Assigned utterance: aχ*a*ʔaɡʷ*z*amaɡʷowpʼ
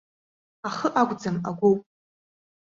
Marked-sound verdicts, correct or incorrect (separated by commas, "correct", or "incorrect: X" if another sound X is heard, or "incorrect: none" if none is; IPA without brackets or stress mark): incorrect: ə, incorrect: d͡z